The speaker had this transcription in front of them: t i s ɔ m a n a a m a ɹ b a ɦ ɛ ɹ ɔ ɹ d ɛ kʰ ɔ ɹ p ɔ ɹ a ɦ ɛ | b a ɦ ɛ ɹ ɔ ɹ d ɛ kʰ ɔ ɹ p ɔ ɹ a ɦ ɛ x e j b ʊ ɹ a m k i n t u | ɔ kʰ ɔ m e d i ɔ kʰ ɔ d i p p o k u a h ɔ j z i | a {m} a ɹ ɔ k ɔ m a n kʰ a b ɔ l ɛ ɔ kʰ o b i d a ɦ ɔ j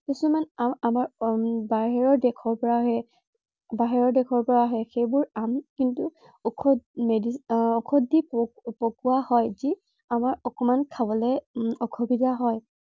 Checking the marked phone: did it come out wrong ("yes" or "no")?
no